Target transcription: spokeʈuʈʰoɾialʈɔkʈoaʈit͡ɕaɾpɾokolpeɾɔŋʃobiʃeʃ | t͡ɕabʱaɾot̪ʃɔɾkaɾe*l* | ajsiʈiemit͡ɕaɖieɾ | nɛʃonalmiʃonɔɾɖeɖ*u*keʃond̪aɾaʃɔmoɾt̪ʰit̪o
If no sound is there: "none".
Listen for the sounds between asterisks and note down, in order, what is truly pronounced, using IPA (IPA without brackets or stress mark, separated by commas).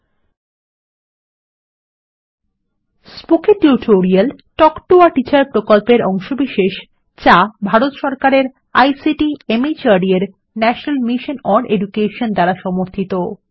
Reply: ɾ, u